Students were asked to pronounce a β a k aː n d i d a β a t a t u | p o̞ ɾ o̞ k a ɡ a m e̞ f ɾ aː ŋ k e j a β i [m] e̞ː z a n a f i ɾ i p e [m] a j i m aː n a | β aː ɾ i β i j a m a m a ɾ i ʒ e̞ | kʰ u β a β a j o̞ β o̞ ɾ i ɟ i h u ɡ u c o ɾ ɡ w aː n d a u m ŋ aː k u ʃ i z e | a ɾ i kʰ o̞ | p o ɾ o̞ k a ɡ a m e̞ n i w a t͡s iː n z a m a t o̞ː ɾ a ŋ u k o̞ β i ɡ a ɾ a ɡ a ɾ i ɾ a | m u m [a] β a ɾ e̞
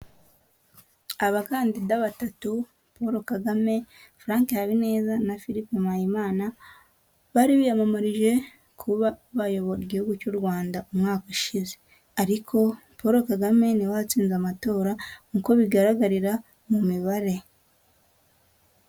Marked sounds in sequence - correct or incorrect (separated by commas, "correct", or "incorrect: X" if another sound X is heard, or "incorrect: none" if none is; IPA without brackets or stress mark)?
incorrect: n, correct, incorrect: i